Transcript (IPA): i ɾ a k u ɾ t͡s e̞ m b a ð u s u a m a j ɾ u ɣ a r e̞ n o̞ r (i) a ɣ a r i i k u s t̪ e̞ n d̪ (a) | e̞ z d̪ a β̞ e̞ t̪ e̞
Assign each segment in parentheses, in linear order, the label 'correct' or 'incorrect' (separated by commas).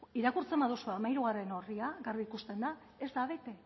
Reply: correct, correct